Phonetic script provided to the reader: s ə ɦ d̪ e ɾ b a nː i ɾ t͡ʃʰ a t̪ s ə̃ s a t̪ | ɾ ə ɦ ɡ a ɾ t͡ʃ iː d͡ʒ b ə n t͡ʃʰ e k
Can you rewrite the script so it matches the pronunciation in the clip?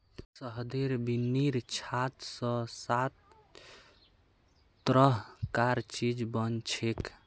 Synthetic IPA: s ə ɦ d̪ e ɾ b i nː i ɾ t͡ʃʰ a t̪ s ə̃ s a t̪ | ɾ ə ɦ k a ɾ t͡ʃ i d͡ʒ b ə n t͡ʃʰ e k

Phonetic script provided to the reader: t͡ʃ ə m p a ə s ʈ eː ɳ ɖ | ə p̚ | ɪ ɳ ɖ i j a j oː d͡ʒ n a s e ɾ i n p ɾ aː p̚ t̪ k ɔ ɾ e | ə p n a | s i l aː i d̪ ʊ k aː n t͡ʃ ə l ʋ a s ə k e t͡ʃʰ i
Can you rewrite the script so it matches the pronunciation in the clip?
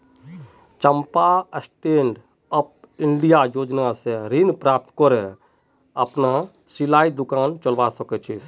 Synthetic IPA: t͡ʃ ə m p a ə s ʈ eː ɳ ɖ | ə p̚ | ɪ ɳ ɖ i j a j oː d͡ʒ n a s e ɾ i n p ɾ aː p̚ t̪ k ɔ ɾ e | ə p n a | s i l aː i d̪ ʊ k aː n t͡ʃ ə l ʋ a s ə k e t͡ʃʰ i

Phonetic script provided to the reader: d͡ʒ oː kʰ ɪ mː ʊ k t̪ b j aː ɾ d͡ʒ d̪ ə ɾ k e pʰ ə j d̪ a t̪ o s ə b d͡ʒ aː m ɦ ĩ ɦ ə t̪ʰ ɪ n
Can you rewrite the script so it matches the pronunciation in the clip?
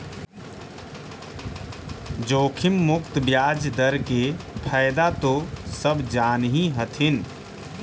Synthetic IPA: d͡ʒ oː kʰ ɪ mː ʊ k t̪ b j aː d͡ʒ d̪ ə ɾ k e pʰ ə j d̪ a t̪ o s ə b d͡ʒ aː n ɦ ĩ ɦ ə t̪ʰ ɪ n

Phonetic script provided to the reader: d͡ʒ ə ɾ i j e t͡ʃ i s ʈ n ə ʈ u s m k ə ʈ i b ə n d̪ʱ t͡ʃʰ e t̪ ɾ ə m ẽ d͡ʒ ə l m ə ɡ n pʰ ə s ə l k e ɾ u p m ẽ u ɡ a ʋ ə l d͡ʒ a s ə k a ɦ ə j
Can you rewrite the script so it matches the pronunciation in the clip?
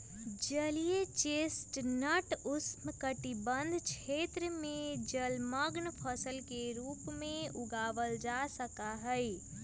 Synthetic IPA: d͡ʒ ə l i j e t͡ʃ e s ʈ n ə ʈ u s m k ə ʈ i b ə n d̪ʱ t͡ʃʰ e t̪ ɾ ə m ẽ d͡ʒ ə l m ə ɡ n pʰ ə s ə l k e ɾ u p m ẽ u ɡ a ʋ ə l d͡ʒ a s ə k a ɦ ə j

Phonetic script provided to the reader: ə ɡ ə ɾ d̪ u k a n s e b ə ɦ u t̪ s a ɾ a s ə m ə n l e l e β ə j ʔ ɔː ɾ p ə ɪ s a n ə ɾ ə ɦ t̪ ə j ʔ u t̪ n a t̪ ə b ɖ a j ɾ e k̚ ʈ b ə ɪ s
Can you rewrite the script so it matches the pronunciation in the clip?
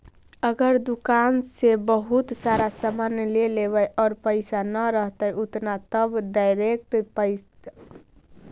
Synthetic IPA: ə ɡ ə ɾ d̪ u k a n s e b ə ɦ u t̪ s a ɾ a s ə m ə n l e l e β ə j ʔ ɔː ɾ p ə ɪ s a n ə ɾ ə ɦ t̪ ə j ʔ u t̪ n a t̪ ə b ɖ a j ɾ e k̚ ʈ p ə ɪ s

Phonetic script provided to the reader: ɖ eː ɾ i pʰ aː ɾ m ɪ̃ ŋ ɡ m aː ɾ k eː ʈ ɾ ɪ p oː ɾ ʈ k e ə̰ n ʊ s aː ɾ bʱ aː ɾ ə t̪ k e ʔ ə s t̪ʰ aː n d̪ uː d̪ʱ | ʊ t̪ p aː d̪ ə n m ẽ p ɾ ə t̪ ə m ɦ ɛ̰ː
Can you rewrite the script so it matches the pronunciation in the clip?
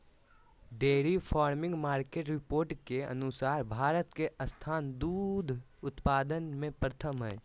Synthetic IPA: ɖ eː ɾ i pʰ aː ɾ m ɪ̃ ŋ ɡ m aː ɾ k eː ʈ ɾ ɪ p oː ɾ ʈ k e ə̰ n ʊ s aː ɾ bʱ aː ɾ ə t̪ k e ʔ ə s t̪ʰ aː n d̪ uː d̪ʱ | ʊ t̪ p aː d̪ ə n m ẽ p ɾ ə t̪ʰ ə m ɦ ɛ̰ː

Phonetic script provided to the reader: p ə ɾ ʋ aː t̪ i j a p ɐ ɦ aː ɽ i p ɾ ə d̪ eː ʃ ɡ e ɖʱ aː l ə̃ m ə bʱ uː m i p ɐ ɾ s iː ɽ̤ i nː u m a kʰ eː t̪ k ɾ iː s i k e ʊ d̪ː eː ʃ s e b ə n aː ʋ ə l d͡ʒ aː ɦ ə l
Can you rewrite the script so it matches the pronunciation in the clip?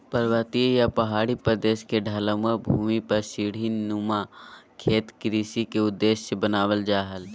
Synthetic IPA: p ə ɾ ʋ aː t̪ i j a p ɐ ɦ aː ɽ i p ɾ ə d̪ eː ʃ k e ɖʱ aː l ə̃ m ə bʱ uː m i p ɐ ɾ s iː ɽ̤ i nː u m a kʰ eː t̪ k ɾ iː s i k e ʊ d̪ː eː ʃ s e b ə n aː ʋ ə l d͡ʒ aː ɦ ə l

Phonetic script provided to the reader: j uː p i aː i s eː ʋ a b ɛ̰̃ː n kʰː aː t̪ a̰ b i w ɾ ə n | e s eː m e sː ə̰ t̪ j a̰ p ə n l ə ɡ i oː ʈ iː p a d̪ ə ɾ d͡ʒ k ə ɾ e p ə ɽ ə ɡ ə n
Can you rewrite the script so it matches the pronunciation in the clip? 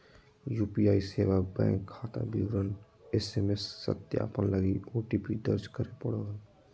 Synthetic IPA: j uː p i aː i s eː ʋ a b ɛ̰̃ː ŋ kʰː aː t̪ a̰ b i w ɾ ə n | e s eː m e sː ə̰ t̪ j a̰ p ə n l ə ɡ i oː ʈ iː p i d̪ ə ɾ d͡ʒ k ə ɾ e p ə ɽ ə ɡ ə n

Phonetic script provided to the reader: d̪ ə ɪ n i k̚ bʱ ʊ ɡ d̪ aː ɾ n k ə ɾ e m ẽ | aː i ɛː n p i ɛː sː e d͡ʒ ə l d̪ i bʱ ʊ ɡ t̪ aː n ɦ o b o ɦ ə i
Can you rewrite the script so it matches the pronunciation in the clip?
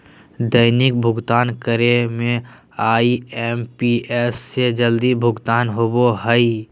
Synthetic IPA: d̪ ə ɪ n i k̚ bʱ ʊ ɡ t̪ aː n k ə ɾ e m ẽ | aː i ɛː m p i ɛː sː e d͡ʒ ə l d̪ i bʱ ʊ ɡ t̪ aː n ɦ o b o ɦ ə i

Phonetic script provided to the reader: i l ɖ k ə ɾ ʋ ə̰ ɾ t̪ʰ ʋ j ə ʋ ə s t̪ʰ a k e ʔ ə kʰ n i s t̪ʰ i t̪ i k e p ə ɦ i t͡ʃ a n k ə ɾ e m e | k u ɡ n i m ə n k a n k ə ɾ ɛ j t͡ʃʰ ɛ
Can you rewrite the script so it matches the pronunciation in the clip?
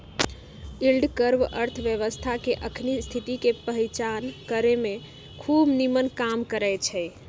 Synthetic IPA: i l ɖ k ə ɾ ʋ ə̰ ɾ t̪ʰ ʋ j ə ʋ ə s t̪ʰ a k e ʔ ə kʰ n i s t̪ʰ i t̪ i k e p ə ɦ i t͡ʃ a n k ə ɾ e m e | kʰ u b n i m ə n k a m k ə ɾ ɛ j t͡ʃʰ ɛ

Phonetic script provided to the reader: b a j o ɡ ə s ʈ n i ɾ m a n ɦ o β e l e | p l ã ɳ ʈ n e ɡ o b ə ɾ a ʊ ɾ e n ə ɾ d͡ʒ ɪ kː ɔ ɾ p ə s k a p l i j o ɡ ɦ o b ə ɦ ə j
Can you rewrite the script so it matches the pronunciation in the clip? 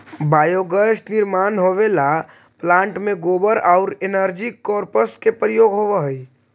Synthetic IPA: b a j o ɡ ə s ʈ n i ɾ m a n ɦ o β e l a | p l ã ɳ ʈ m e ɡ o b ə ɾ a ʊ ɾ e n ə ɾ d͡ʒ i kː ɔ ɾ p ə s k e p ɾ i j o ɡ ɦ o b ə ɦ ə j

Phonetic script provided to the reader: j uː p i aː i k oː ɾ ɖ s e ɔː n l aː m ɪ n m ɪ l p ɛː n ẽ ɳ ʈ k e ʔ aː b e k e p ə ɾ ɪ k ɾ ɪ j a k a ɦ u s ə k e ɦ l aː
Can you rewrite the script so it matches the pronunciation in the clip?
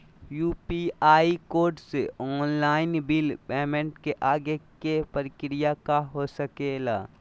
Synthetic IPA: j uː p i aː i k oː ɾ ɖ s e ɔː n l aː ɪ n b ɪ l p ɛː m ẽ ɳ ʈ k e ʔ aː ɡ e k e p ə ɾ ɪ k ɾ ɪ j a k a ɦ o s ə k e l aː

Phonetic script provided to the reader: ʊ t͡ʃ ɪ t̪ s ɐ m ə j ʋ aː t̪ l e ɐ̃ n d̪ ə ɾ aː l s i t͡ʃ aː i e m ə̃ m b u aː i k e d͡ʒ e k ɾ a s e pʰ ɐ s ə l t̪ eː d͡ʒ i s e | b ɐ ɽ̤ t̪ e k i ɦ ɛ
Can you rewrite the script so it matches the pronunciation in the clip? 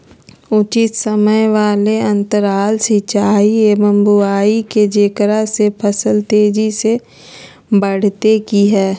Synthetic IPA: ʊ t͡ʃ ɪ t̪ s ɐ m ə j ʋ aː l e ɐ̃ n t̪ ə ɾ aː l s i t͡ʃ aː i e m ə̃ m b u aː i k e d͡ʒ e k ɾ a s e pʰ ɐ s ə l t̪ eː d͡ʒ i s e | b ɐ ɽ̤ t̪ e k i ɦ ɛː

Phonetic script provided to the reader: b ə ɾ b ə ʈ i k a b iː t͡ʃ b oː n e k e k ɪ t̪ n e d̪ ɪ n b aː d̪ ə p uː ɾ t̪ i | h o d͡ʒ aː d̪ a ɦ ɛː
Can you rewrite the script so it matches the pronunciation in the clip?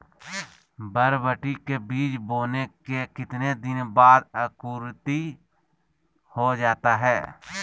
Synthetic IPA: b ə ɾ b ə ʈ i k e b iː t͡ʃ b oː n e k e k ɪ t̪ n e d̪ ɪ n b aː d̪ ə k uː ɾ t̪ i | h o d͡ʒ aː t̪ a ɦ ɛː

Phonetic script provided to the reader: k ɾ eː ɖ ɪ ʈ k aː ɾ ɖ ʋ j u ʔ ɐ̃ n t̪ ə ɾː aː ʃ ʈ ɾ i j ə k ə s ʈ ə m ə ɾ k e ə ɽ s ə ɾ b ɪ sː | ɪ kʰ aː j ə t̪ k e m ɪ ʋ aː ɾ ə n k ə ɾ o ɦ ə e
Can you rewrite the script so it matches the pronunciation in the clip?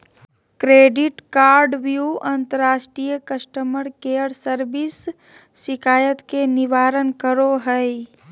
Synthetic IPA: k ɾ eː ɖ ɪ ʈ k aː ɾ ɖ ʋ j u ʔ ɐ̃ n t̪ ə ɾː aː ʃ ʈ ɾ i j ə k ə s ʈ ə m ə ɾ k e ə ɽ s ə ɾ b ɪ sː | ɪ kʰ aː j ə t̪ k e n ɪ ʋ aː ɾ ə n k ə ɾ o ɦ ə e

